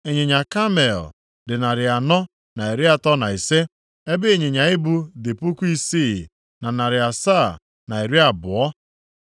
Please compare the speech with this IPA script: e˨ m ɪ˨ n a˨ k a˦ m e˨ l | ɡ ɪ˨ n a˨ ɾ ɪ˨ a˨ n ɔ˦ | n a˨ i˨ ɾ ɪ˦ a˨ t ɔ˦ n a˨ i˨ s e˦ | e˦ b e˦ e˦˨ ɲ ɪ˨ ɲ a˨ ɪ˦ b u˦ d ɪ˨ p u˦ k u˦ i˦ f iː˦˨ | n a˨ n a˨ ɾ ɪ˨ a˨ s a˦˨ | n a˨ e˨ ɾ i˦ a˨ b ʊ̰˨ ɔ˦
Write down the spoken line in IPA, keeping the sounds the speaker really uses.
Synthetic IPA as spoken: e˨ ɲ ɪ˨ ɲ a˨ k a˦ m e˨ l | d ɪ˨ n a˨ ɾ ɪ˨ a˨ n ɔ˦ | n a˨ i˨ ɾ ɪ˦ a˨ t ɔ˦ n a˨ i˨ s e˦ | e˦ b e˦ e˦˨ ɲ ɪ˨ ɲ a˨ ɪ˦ b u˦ d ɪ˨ p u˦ k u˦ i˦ s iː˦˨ | n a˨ n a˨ ɾ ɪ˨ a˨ s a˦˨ | n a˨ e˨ ɾ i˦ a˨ b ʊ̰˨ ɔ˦